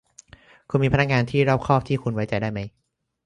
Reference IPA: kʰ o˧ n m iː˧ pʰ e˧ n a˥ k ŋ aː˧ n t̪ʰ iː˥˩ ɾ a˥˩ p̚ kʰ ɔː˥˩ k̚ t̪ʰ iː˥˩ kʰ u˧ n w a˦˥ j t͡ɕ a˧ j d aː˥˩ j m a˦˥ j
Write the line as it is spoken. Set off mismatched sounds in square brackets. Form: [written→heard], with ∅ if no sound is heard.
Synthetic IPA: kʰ [o˧→u˧] n m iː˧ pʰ [e˧→a˧] n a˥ k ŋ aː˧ n t̪ʰ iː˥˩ ɾ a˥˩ p̚ kʰ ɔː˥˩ [k̚→p̚] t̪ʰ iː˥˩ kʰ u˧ n w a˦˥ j t͡ɕ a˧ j d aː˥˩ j m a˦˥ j